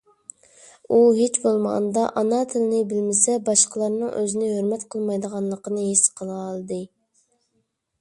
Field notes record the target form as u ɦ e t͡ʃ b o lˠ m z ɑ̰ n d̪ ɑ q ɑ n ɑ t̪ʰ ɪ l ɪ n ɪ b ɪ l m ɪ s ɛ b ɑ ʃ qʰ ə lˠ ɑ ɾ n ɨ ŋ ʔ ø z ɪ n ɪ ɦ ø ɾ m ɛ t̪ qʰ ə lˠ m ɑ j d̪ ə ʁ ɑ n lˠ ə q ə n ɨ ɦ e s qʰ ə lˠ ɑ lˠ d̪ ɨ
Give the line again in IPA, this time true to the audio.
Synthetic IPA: u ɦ e t͡ʃ b o lˠ m ʁ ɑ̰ n d̪ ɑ ʔ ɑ n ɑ t̪ʰ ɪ l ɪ n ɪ b ɪ l m ɪ s ɛ b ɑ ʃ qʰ ə lˠ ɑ ɾ n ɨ ŋ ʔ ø z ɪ n ɪ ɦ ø ɾ m ɛ t̪ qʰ ə lˠ m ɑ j d̪ ə ʁ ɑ n lˠ ə q ə n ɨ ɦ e s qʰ ə lˠ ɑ lˠ d̪ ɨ